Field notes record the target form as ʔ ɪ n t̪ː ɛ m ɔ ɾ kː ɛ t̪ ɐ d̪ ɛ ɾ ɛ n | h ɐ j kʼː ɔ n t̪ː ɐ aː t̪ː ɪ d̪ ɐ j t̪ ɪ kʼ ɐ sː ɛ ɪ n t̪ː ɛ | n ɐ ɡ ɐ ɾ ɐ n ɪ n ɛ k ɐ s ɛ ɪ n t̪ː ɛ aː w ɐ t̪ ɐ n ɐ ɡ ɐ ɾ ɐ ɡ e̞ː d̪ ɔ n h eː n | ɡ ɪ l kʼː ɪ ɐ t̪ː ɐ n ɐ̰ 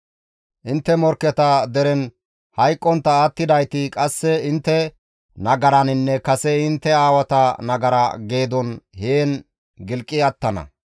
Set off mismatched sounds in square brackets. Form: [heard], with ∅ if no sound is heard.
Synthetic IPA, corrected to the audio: ʔ ɪ n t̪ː ɛ m ɔ ɾ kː ɛ t̪ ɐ d̪ ɛ ɾ ɛ n | h ɐ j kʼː ɔ n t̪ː ɐ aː t̪ː ɪ d̪ ɐ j t̪ ɪ kʼ ɐ sː ɛ ɪ n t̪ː ɛ | n ɐ ɡ ɐ ɾ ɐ n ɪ [nː] ɛ k ɐ s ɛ ɪ n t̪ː ɛ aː w ɐ t̪ ɐ n ɐ ɡ ɐ ɾ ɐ ɡ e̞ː d̪ ɔ n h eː n | ɡ ɪ l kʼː ɪ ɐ t̪ː ɐ n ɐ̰